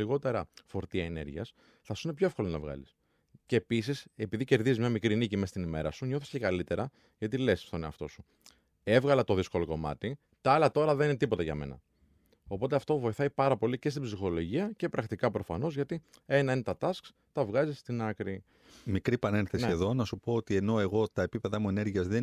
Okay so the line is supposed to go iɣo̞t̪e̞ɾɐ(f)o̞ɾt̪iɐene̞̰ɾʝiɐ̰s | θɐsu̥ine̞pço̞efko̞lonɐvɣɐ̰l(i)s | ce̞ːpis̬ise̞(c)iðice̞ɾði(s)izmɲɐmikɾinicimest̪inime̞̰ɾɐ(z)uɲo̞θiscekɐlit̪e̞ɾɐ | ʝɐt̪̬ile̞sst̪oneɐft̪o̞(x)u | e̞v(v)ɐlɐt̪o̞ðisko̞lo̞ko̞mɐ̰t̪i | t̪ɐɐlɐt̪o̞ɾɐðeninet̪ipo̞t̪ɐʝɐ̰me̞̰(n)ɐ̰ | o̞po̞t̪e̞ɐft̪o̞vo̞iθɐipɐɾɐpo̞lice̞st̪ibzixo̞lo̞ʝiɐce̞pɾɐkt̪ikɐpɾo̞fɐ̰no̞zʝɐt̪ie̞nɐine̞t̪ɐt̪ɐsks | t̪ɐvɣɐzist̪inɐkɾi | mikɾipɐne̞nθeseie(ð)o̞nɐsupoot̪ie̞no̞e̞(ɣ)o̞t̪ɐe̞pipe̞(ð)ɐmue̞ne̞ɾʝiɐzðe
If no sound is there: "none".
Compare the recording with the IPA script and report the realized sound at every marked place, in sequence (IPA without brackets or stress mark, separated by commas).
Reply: f, i, p, z, s, s, ɣ, n, ð, ɣ, ð